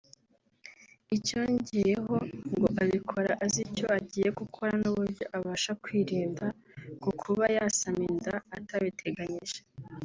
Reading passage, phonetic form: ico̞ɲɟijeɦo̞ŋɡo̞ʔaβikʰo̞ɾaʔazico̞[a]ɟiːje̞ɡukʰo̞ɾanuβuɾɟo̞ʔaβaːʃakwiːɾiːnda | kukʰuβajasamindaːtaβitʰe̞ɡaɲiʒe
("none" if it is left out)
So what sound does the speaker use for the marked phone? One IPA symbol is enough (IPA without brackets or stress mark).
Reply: a